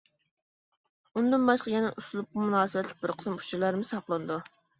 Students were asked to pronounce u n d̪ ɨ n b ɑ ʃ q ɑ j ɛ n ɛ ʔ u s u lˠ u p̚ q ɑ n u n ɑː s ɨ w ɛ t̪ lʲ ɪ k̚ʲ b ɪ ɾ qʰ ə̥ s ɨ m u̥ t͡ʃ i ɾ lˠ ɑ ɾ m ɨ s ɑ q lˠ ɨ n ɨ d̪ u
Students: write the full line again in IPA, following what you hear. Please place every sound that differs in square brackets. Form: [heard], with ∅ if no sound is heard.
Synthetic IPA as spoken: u n d̪ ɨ n b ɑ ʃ q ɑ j ɛ n ɛ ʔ u s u lˠ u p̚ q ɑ [m] u n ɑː s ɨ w ɛ t̪ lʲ ɪ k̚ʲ b ɪ ɾ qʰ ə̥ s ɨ m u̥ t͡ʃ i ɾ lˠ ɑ ɾ m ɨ s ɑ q lˠ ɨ n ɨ d̪ u